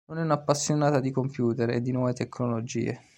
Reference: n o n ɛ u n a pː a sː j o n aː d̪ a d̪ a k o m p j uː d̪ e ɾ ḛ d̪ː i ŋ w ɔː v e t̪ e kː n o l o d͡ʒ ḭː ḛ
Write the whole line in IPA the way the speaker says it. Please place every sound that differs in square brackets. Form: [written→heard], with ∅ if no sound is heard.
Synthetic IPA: n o n ɛ u n a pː a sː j o n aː [d̪→t̪] a d̪ [a→i] k o m p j uː [d̪→t̪] e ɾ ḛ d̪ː i [ŋ→n] w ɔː v e t̪ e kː n o l o d͡ʒ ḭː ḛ